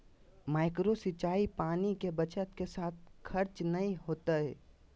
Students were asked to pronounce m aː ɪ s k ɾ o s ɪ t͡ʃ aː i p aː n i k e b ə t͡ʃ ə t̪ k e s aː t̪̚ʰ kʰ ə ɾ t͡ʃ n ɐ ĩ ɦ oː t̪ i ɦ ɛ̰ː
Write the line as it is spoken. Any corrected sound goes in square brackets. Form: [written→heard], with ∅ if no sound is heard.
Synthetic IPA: m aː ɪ [s→∅] k ɾ o s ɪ t͡ʃ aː i p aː n i k e b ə t͡ʃ ə t̪ k e s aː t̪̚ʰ kʰ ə ɾ t͡ʃ n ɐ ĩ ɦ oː t̪ [i→a] ɦ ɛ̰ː